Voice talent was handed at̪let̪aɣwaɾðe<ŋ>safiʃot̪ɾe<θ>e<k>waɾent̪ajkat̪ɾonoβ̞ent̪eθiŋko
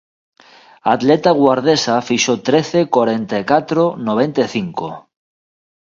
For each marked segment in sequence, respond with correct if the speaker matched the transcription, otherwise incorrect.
incorrect, correct, correct

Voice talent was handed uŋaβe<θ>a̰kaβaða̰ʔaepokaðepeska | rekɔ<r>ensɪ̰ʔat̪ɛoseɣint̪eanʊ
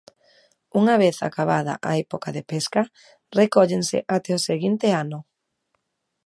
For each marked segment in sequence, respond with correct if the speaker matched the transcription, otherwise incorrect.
correct, incorrect

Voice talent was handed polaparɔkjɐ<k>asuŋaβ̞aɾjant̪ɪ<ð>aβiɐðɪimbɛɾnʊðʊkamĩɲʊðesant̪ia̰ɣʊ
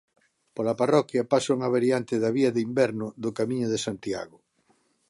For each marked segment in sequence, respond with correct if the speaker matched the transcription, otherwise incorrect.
incorrect, correct

